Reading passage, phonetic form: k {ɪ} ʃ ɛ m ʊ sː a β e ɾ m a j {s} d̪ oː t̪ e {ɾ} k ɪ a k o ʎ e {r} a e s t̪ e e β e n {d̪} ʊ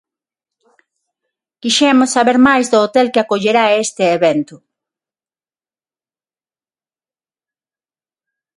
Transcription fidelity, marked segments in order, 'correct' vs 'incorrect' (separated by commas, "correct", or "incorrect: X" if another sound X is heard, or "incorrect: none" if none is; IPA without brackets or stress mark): incorrect: i, incorrect: z, incorrect: l, incorrect: ɾ, incorrect: t̪